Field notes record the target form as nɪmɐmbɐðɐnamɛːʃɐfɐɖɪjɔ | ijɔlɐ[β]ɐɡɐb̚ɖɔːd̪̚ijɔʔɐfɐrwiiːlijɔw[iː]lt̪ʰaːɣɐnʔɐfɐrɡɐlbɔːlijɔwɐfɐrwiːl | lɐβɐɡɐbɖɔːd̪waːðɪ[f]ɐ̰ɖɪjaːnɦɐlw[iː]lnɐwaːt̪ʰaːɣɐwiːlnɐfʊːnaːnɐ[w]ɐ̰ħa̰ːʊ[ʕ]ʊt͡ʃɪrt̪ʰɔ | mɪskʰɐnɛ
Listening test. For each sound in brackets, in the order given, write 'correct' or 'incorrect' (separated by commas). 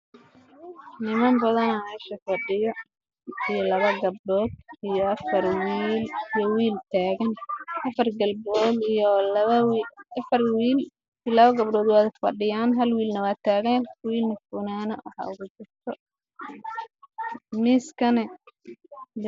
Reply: correct, correct, correct, correct, correct, incorrect